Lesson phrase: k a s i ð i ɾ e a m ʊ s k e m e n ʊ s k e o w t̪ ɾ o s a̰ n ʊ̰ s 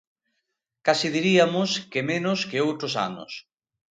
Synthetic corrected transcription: k a s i ð i ɾ i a m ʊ s k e m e n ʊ s k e o w t̪ ɾ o s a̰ n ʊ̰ s